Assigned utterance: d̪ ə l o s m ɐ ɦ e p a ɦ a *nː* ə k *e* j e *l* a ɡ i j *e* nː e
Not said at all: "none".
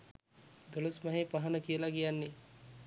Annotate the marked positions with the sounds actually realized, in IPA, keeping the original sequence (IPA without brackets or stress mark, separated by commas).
n, i, l, a